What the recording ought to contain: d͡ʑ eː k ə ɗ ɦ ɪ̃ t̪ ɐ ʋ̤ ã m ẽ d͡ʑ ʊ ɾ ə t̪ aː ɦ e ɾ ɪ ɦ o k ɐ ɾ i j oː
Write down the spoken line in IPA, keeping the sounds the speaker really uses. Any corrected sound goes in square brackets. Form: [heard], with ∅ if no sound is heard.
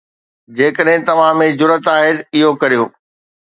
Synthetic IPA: d͡ʑ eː k ə ɗ ɦ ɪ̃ t̪ ɐ ʋ̤ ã m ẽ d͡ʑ ʊ ɾ ə t̪ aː ɦ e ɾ ɪ ɦ o k ɐ ɾ i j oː